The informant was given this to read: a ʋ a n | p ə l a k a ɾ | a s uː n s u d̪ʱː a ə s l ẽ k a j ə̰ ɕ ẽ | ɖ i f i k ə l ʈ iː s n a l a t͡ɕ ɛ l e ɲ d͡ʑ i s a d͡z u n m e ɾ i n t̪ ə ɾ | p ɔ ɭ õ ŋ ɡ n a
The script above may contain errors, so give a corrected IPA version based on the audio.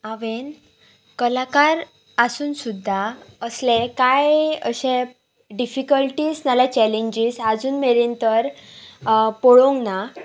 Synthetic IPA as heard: a ʋ e n | k ə l a k a ɾ | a s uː n s u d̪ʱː a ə s l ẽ k a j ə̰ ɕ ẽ | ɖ i f i k ə l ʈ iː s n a l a t͡ɕ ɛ l e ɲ d͡ʑ i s a d͡z uː n m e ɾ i n t̪ ə ɾ | p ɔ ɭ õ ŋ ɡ n a